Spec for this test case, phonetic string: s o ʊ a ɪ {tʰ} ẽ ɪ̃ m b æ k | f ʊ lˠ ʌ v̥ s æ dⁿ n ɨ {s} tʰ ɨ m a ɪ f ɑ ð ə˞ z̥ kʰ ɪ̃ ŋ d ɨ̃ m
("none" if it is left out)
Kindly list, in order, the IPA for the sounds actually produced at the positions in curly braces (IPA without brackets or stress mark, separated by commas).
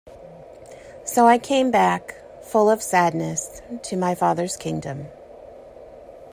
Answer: kʰ, s